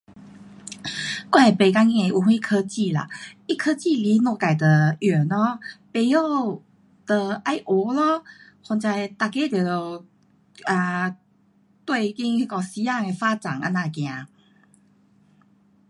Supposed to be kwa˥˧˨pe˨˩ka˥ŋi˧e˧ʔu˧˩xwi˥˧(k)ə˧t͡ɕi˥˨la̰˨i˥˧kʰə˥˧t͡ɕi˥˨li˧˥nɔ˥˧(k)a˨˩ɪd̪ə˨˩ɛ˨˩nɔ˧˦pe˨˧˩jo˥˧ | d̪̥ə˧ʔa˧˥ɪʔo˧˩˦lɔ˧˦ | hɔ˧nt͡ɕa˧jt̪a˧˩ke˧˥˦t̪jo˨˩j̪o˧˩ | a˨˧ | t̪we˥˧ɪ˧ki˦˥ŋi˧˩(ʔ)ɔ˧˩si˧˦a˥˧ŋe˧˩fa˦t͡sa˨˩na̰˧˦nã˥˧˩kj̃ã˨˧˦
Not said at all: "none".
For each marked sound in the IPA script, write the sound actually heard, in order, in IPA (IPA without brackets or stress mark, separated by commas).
kʰ, k, k